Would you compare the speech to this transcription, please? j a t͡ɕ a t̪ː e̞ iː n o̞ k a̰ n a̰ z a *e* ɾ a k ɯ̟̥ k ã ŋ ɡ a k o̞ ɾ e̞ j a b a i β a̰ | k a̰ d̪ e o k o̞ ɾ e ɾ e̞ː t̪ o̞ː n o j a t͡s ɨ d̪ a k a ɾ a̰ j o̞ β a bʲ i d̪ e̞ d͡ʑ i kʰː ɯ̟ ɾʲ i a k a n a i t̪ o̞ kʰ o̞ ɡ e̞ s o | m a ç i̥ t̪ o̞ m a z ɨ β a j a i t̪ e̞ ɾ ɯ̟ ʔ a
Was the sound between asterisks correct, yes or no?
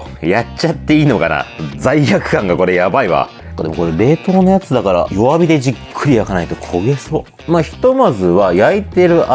no